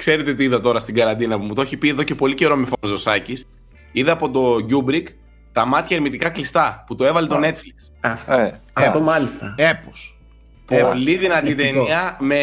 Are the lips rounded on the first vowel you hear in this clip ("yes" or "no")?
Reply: no